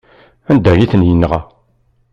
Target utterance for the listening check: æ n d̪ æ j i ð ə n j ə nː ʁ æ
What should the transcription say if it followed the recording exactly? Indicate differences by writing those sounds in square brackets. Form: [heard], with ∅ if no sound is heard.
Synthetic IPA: æ n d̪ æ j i [θ] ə n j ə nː ʁ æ